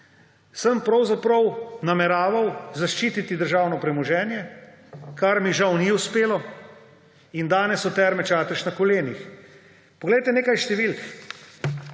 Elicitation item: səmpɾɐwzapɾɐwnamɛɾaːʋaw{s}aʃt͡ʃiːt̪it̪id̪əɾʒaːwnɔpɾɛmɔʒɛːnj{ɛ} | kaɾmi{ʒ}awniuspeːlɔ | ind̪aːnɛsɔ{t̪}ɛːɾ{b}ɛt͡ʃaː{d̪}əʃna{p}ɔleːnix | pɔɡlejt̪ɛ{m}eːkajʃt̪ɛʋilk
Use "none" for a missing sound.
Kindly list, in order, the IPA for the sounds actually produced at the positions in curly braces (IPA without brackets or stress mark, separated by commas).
z, ɛ, ʒ, t̪, m, t̪, k, n